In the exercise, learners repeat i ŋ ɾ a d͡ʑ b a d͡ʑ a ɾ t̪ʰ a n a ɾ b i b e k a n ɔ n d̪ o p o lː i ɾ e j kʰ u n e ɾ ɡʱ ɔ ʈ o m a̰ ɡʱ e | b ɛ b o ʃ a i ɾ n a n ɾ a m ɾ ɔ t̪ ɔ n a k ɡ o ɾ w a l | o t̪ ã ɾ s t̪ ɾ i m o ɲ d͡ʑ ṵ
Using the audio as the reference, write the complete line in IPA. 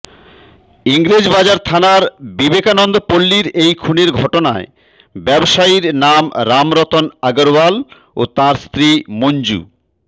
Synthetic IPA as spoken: i ŋ ɾ e d͡ʑ b a d͡ʑ a ɾ t̪ʰ a n a ɾ b i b e k a n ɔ n d̪ o p o lː i ɾ e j kʰ u n e ɾ ɡʱ ɔ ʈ o n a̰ e | b ɛ b o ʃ a i ɾ n a m ɾ a m ɾ ɔ t̪ o n a ɡ o ɾ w a l | o t̪ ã ɾ s t̪ ɾ i m o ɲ d͡ʑ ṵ